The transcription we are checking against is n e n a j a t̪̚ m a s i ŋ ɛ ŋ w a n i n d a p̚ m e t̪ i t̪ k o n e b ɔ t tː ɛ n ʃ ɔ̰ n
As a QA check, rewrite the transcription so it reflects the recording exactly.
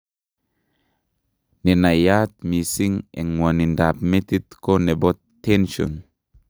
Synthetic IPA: n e n a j a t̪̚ m i s i ŋ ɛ ŋ w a n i n d a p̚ m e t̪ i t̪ k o n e b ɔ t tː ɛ n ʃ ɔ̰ n